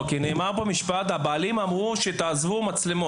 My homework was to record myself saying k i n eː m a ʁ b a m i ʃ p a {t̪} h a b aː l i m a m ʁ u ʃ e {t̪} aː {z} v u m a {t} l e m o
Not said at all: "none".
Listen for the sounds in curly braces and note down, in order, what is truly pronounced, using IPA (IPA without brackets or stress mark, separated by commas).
t̪, t̪, z, t͡s